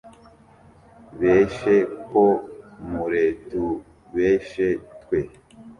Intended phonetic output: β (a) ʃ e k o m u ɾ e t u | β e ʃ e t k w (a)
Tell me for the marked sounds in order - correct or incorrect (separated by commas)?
incorrect, incorrect